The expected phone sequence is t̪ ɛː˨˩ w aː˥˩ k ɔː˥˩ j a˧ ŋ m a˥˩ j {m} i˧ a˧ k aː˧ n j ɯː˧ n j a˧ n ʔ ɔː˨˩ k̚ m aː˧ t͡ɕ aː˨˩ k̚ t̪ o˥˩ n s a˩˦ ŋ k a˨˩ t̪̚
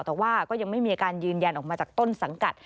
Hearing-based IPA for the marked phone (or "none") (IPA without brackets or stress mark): m